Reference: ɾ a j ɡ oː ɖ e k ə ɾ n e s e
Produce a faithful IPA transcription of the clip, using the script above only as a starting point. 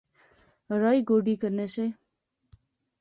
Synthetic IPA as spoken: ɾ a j ɡ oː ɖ i k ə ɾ n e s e